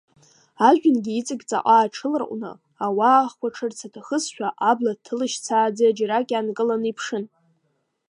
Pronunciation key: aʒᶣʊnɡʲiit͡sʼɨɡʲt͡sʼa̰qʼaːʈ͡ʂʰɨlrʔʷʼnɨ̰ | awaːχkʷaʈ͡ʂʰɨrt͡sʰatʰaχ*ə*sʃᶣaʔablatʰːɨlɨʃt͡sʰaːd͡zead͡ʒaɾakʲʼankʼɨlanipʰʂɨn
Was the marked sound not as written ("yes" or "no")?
no